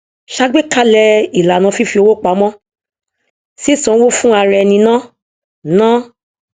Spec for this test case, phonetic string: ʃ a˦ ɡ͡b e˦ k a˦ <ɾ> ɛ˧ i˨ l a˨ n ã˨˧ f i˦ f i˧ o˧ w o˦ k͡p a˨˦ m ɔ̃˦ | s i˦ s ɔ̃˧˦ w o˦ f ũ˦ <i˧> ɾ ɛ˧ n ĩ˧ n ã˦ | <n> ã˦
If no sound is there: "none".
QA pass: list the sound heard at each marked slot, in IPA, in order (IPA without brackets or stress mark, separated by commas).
l, a˧, n